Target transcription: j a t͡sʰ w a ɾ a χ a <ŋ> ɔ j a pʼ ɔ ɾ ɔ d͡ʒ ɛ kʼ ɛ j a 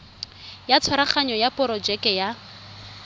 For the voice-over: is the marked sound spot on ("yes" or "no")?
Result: no